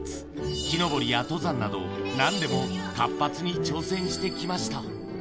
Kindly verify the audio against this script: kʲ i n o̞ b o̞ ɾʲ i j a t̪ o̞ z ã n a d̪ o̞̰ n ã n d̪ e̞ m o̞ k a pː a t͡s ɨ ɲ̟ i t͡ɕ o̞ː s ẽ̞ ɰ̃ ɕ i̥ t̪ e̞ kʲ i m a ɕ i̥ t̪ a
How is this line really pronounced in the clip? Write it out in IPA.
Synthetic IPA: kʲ i n o̞ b o̞ ɾʲ i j a t̪ o̞ z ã nː a d̪ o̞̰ n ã n d̪ e̞ m o̞ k a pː a t͡s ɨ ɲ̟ i t͡ɕ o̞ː s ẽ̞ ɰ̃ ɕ i̥ t̪ e̞ kʲ i m a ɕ i̥ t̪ a